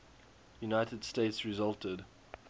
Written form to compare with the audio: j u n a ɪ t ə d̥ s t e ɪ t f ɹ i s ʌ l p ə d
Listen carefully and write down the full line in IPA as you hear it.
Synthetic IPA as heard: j u n a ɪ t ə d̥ s t e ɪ t s ɹ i z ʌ l t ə d